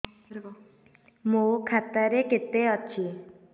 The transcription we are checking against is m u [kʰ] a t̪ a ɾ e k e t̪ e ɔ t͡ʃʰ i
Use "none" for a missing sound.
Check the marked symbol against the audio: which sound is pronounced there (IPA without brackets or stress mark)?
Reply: kʰ